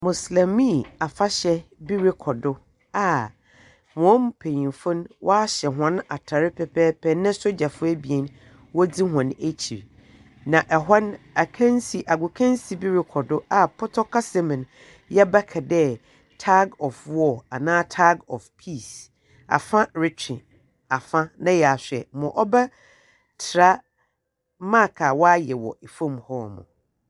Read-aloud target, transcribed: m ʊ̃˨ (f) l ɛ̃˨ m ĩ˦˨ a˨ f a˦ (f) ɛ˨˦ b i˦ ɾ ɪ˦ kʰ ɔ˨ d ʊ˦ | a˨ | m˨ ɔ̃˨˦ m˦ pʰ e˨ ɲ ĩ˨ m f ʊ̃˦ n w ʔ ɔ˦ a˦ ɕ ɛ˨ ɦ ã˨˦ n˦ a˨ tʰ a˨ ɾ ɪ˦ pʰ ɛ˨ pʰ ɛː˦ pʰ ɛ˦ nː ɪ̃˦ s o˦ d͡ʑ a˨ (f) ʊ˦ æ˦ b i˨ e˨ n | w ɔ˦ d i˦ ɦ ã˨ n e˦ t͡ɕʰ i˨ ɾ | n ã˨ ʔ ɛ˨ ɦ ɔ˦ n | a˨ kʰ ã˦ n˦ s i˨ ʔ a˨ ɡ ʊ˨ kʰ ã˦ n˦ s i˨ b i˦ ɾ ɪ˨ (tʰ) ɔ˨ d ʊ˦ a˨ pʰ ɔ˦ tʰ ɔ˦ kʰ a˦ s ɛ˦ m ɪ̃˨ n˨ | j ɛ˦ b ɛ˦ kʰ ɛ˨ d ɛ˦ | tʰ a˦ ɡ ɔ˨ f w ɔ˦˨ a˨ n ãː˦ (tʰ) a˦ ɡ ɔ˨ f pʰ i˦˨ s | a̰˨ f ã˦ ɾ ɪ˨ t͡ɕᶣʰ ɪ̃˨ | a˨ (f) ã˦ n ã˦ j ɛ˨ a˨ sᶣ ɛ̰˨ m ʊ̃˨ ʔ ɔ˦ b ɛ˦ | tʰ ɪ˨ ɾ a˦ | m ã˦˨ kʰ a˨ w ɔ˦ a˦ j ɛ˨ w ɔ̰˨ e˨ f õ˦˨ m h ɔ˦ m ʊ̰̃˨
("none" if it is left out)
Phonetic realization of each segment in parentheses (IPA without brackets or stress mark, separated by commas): s, ɕ, f, kʰ, tʰ, f